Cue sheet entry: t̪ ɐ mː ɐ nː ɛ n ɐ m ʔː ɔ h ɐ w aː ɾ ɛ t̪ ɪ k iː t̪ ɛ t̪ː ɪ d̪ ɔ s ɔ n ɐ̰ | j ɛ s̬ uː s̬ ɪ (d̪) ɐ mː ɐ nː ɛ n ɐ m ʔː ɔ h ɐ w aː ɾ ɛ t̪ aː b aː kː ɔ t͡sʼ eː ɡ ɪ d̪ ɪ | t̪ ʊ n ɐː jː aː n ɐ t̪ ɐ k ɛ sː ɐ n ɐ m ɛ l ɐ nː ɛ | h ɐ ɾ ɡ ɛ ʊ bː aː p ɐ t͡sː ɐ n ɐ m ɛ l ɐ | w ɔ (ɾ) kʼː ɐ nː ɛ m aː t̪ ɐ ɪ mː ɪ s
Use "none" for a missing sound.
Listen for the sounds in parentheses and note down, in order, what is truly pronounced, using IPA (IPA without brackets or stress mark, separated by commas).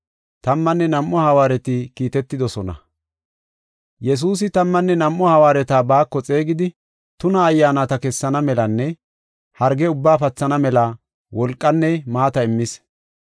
t̪, l